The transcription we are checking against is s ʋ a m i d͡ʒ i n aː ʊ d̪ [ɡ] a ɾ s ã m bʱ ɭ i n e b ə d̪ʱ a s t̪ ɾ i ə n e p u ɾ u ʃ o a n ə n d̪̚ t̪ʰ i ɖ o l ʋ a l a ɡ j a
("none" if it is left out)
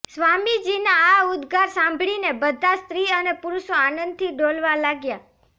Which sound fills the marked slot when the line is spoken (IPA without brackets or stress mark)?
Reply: ɡ